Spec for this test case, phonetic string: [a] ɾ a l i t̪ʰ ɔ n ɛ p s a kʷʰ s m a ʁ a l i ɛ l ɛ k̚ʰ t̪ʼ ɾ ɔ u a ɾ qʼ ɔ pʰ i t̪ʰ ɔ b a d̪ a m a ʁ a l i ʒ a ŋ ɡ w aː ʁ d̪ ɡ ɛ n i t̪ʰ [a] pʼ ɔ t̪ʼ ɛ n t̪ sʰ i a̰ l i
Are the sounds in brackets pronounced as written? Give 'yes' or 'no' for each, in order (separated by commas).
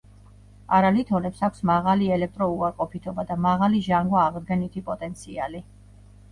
yes, no